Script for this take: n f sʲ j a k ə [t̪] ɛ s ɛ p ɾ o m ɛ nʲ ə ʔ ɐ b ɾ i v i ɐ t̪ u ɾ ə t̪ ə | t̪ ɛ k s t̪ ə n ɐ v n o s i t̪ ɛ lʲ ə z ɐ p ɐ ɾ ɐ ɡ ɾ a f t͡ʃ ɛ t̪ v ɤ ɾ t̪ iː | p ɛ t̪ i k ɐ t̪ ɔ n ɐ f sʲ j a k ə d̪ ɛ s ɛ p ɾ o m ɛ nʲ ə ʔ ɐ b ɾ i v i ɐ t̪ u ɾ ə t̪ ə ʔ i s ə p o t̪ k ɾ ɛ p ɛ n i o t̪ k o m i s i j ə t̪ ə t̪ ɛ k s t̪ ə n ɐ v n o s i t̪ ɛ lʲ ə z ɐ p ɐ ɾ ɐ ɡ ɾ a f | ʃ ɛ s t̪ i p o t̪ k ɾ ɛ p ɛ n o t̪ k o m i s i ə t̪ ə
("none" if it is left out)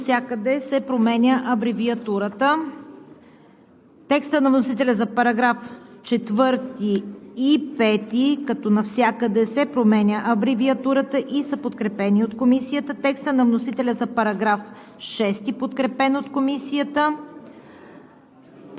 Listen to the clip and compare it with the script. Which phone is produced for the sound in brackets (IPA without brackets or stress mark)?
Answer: d̪